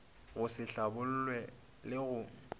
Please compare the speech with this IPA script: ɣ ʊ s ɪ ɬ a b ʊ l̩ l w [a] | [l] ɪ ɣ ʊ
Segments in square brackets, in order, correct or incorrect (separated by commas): incorrect, correct